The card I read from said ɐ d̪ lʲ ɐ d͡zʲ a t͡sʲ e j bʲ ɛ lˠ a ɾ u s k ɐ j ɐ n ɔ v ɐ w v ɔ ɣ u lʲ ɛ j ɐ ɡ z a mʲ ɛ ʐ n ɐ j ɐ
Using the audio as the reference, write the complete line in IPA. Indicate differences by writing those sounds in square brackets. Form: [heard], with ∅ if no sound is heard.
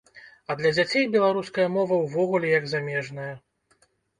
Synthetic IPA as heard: ɐ d̪ lʲ ɐ d͡zʲ a t͡sʲ e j bʲ ɛ lˠ a ɾ u s k ɐ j ɐ [m] ɔ v ɐ w v ɔ ɣ u lʲ ɛ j ɐ ɡ z a mʲ ɛ ʐ n ɐ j ɐ